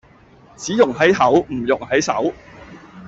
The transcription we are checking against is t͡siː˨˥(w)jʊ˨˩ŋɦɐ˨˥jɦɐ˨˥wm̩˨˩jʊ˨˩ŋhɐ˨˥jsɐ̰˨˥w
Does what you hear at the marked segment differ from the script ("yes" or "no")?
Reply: yes